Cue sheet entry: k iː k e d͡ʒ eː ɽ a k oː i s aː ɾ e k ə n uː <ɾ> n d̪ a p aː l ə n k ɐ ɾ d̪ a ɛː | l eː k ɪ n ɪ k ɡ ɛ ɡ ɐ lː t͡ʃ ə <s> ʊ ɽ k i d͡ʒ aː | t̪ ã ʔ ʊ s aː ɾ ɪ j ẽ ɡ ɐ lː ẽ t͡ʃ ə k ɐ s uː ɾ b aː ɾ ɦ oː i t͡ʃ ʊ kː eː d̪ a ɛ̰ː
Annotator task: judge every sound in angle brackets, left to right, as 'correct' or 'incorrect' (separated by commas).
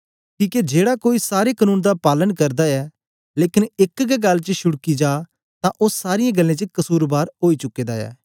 incorrect, incorrect